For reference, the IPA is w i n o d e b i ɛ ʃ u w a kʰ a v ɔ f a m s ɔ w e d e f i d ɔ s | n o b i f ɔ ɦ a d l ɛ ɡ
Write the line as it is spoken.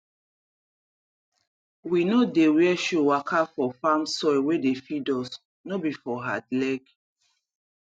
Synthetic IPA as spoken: w i n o d e w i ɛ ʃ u w a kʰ a f ɔ f a m s ɔ w e d e f i d ɔ s | n o b i f ɔ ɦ a d l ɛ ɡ